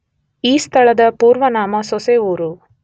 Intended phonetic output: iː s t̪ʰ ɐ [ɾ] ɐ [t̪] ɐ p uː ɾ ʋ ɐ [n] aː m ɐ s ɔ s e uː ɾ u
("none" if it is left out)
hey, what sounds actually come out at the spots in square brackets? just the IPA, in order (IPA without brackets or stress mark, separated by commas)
ɭ, d̪, n